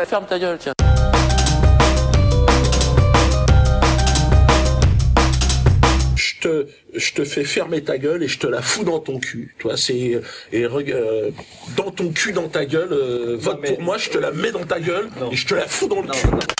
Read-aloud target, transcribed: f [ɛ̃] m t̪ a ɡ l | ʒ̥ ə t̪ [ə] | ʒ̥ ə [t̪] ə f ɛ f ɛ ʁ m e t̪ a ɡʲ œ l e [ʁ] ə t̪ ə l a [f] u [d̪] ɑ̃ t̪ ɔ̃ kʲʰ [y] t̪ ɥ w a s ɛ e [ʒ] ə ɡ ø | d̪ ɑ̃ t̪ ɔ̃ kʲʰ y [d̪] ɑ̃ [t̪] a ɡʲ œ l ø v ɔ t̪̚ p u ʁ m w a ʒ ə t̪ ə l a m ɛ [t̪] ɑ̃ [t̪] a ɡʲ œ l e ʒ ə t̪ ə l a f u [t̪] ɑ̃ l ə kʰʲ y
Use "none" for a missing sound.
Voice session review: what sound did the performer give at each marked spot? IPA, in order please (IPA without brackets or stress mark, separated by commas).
ɛ, ə, t̪, ʒ, f, d̪, y, ʁ, d̪, t̪, d̪, t̪, d̪